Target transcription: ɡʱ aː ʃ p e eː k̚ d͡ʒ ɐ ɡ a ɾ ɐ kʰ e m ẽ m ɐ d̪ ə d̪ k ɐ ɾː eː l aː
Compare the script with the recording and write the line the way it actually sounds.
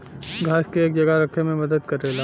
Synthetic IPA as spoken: ɡʱ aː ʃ k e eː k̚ d͡ʒ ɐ ɡ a ɾ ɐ kʰ e m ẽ m ɐ d̪ ə d̪ k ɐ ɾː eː l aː